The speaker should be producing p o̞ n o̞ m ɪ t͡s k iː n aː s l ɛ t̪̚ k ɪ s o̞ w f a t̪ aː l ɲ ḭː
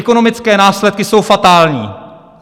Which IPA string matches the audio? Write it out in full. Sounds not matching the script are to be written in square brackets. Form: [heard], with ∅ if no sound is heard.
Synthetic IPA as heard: [k] o̞ n o̞ m ɪ t͡s k [ɛː] n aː s l ɛ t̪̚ k ɪ s o̞ w f a t̪ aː l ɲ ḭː